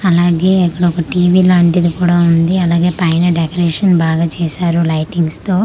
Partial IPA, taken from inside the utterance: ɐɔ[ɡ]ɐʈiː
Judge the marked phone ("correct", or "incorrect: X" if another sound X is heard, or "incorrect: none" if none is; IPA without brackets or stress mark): incorrect: k